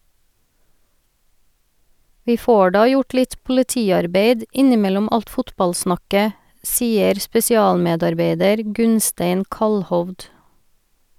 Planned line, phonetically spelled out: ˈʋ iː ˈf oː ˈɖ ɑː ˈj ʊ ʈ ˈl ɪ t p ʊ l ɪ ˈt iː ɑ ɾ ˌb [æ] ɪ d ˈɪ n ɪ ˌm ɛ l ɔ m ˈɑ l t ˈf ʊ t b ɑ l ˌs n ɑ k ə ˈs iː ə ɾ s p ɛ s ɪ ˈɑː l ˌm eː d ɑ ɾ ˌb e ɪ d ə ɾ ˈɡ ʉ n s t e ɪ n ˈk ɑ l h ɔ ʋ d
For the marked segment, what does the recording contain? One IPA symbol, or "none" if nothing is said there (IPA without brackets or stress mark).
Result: e